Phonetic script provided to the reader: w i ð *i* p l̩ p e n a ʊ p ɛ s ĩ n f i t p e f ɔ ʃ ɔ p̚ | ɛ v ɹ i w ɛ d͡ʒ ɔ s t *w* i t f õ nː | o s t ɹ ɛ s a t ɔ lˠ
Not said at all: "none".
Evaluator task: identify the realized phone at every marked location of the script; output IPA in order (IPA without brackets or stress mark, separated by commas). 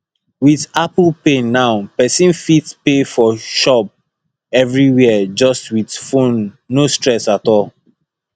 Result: a, w